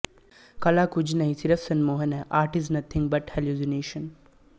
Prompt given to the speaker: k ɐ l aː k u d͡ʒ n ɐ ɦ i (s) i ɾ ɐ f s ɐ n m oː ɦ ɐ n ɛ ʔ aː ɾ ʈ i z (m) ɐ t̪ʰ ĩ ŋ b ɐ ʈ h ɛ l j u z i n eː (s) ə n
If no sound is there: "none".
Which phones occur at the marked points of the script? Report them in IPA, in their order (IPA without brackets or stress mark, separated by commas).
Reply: s, n, ʃ